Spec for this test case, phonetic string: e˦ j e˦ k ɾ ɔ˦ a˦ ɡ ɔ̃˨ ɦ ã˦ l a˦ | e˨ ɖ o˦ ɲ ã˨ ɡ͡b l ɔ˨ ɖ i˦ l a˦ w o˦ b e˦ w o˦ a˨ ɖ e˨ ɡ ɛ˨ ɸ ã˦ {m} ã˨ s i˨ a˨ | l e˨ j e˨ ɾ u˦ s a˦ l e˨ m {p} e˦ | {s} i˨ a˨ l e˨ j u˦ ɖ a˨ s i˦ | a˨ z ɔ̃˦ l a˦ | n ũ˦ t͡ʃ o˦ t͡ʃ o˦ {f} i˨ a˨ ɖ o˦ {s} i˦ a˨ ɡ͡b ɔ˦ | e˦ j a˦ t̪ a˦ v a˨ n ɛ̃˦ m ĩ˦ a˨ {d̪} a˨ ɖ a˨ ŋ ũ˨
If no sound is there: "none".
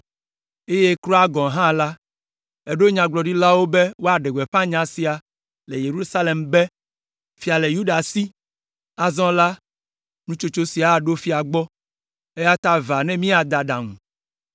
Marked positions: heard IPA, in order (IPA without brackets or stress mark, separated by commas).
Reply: ɲ, b, f, s, f, d̪